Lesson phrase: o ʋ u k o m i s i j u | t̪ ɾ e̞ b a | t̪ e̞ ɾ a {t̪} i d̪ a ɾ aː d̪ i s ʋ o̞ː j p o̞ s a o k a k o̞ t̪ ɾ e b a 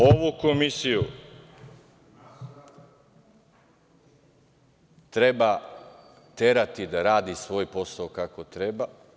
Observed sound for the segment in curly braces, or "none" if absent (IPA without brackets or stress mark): t̪